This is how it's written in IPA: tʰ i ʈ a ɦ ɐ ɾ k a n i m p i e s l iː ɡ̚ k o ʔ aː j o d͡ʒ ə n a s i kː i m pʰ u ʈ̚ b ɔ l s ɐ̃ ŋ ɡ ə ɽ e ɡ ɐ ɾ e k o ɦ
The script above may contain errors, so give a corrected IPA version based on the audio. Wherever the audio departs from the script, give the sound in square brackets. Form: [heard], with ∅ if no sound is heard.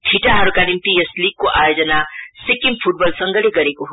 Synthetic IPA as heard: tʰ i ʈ a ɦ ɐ ɾ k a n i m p i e s l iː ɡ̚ k o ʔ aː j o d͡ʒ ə n a s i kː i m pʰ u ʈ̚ b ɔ l s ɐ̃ ŋ ɡ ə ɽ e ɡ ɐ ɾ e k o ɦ